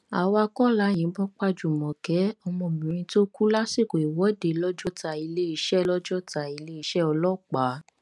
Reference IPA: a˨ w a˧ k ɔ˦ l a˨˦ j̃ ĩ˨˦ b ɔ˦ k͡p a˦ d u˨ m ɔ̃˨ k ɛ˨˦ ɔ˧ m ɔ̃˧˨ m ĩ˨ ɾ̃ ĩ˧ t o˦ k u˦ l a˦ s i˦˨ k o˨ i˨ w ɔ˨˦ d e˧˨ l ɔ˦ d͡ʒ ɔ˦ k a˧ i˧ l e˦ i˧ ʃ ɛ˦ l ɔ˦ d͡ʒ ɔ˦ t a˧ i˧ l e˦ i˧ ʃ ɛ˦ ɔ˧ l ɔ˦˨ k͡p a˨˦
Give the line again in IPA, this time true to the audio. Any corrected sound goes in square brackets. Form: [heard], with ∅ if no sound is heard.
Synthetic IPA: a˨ w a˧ k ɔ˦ l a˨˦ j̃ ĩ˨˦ b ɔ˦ k͡p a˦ [d͡ʒ] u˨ m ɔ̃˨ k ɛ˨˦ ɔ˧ m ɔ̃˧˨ m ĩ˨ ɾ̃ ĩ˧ t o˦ k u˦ l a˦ s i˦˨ k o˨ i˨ w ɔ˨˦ d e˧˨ l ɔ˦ d͡ʒ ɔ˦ [t] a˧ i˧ l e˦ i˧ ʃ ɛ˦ l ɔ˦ d͡ʒ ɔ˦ t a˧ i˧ l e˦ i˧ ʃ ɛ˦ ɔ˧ l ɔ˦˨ k͡p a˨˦